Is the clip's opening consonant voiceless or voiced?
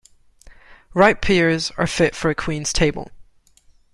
voiced